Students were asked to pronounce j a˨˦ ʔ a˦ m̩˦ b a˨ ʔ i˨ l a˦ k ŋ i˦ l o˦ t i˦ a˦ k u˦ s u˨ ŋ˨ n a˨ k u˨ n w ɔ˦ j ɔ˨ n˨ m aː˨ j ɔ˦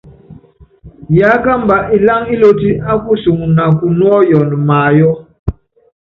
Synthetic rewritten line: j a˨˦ k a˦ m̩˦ b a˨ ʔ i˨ l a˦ ŋ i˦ l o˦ t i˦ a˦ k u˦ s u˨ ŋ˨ n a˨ k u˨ n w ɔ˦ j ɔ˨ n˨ m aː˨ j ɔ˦